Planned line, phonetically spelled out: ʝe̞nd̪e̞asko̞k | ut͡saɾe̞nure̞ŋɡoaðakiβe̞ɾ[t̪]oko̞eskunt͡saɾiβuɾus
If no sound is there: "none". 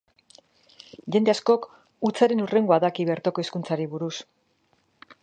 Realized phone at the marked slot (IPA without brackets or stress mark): t̪